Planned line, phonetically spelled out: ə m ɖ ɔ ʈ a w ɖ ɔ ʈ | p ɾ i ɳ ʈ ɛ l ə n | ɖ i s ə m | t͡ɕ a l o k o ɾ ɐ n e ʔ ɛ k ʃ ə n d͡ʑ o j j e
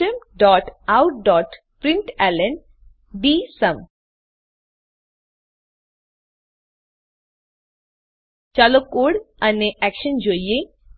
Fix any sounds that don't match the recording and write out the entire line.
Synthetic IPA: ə m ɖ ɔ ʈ a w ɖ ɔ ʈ | p ɾ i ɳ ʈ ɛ l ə n | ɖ i s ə m | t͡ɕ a l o k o ɽ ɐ n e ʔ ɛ k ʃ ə n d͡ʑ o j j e